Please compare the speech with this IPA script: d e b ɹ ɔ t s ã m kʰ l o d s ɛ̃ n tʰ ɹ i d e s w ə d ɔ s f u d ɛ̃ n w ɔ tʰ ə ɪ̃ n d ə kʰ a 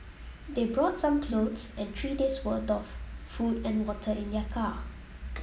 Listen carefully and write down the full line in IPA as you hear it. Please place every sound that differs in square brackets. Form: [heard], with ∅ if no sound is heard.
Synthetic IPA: d e b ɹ ɔ t s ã m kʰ l o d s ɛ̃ n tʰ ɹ i d e s w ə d ɔ [f] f u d ɛ̃ n w ɔ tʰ ə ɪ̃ n d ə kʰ a